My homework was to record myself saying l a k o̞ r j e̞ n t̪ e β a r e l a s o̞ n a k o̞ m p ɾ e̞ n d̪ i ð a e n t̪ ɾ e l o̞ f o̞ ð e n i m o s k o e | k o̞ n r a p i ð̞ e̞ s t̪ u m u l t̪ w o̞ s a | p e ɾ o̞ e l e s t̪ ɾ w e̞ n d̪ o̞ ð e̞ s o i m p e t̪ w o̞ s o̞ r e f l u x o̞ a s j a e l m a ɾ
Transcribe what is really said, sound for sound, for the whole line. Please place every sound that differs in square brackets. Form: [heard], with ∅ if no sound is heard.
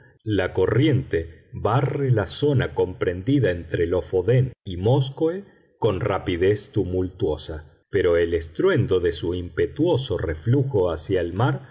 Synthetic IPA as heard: l a k o̞ r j e̞ n t̪ e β a r e l a s o̞ n a k o̞ m p ɾ e̞ n d̪ i ð a e n t̪ ɾ e l o̞ f o̞ ð e n i m o s k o e | k o̞ n r a p i ð̞ e̞ s t̪ u m u l t̪ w o̞ s a | p e ɾ o̞ e l e s t̪ ɾ w e̞ n d̪ o̞ ð e̞ s [u] i m p e t̪ w o̞ s o̞ r e f l u x o̞ a s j a e l m a ɾ